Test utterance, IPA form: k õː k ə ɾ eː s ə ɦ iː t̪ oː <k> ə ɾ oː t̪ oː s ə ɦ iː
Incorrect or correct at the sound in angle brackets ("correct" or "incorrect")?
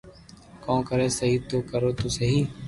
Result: correct